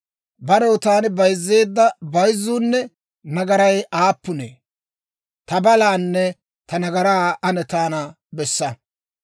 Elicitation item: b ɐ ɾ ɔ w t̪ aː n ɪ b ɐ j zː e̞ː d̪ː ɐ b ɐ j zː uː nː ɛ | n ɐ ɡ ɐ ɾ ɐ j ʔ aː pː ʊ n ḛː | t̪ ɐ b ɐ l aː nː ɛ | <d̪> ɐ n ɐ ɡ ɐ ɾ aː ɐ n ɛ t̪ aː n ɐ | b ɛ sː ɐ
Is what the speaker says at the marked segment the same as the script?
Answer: no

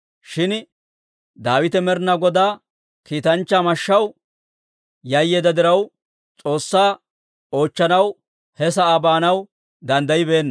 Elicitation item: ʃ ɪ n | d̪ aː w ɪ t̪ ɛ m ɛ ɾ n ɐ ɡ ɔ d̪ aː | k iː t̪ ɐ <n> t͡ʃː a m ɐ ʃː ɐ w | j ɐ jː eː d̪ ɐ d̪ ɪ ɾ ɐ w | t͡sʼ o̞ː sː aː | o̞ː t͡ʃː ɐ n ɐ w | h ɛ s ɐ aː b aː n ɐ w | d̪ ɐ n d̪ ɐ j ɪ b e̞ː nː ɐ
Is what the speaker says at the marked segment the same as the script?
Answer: yes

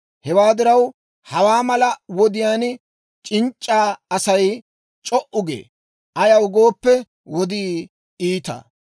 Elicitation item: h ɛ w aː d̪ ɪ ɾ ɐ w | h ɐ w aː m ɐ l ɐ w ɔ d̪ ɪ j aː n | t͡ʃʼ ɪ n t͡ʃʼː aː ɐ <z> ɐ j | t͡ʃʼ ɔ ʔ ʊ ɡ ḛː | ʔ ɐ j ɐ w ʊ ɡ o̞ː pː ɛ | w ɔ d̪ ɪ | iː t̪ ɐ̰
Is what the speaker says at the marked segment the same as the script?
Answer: no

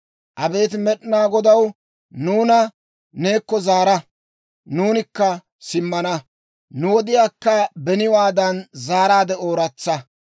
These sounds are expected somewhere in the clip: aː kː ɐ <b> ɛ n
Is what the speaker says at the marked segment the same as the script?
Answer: yes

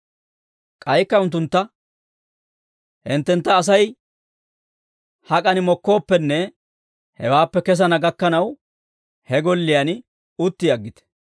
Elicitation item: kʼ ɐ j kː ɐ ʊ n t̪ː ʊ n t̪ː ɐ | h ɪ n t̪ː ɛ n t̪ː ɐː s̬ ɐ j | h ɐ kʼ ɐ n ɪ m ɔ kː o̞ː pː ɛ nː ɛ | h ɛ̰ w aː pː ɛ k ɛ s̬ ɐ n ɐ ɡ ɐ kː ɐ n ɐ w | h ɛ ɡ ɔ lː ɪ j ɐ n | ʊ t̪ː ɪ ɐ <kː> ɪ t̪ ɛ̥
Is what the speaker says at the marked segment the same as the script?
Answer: no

